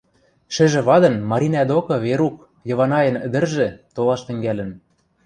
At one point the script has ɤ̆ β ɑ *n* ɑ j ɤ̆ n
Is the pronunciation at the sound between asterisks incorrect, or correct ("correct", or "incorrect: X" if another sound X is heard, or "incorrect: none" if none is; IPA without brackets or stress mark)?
correct